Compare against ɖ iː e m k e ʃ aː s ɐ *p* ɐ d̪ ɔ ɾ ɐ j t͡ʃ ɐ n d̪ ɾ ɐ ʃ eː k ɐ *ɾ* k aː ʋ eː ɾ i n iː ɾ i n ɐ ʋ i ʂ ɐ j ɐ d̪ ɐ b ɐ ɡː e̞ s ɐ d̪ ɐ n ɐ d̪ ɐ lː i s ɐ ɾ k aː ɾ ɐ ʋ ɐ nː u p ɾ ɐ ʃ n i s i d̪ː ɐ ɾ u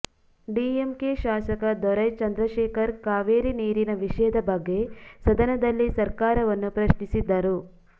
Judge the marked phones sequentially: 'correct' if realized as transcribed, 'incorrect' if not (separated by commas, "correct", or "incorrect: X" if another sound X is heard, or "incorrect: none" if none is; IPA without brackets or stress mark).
incorrect: k, correct